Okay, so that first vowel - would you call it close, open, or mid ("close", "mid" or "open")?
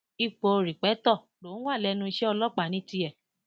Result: close